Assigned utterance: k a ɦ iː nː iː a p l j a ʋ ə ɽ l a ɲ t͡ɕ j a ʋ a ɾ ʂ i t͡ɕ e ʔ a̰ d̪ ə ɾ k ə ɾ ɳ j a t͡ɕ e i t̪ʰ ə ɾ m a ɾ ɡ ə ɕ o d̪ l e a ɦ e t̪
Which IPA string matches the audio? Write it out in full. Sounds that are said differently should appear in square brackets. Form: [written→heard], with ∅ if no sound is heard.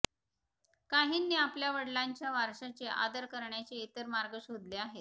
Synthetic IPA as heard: k a ɦ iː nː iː a p l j a ʋ ə ɽ l a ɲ t͡ɕ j a ʋ a ɾ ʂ [i→a] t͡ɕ e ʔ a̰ d̪ ə ɾ k ə ɾ ɳ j a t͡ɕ e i [t̪ʰ→t̪] ə ɾ m a ɾ ɡ ə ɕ o d̪ l e a ɦ e t̪